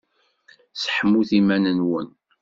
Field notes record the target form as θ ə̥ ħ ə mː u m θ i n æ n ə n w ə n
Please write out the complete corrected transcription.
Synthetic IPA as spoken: s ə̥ ħ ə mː u θ i m æ n ə n w ə n

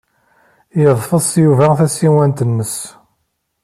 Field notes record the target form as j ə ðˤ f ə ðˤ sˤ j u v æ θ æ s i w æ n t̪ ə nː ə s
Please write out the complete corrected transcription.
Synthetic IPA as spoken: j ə ðˤ f ə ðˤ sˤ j u v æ θ æ s i w æ n t̪ ə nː ə s

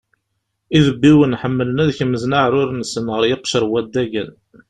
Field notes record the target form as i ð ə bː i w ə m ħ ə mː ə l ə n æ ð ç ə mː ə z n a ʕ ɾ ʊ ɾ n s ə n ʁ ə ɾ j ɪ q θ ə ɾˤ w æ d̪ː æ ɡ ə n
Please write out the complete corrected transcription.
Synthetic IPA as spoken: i ð ə bː i w ə n ħ ə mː ə l ə n æ ð ç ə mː ə z n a ʕ ɾ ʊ ɾ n s ə n ʁ ə ɾ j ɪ q ʃ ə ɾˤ w æ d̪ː æ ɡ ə n

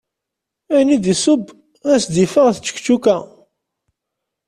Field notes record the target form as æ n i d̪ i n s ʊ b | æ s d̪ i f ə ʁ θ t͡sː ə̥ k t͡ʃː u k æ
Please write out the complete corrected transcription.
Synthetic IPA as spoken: æ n i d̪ i s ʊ b | æ s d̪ i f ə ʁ θ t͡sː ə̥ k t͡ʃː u k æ

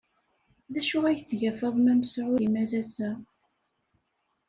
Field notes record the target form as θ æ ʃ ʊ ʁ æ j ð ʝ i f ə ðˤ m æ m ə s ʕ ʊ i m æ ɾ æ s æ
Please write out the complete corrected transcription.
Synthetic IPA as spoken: ð æ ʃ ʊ ʁ æ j θ ʝ æ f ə ðˤ m æ m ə s ʕ ʊ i m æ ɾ æ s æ

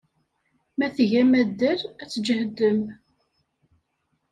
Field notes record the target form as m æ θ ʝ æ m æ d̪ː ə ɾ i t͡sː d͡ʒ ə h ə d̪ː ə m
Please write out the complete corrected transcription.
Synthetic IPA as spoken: m æ θ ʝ æ m æ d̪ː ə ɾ æ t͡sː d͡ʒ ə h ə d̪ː ə m

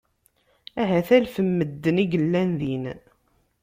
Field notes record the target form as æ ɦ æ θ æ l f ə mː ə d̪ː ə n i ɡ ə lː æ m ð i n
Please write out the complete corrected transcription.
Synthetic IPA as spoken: æ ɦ æ θ æ l f ə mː ə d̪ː ə n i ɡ ə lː æ n ð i n

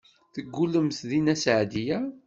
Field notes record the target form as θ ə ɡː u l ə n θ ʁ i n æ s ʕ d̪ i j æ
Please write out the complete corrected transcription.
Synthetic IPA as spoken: θ ə ɡː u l ə m θ ð i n æ s ʕ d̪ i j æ

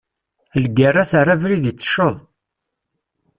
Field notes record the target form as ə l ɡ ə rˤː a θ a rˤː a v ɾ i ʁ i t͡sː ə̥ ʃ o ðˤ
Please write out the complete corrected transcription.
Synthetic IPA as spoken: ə l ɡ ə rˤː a θ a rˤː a v ɾ i ð i t͡sː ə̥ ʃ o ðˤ

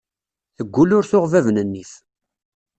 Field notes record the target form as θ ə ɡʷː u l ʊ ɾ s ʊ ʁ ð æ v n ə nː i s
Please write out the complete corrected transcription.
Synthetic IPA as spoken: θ ə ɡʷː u l ʊ ɾ θ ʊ ʁ v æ v n ə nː i θ

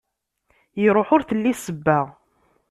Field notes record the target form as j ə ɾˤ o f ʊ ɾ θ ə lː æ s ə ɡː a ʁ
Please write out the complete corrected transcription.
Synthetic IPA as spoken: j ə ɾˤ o ħ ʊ ɾ θ ə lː i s ə bː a ʁ

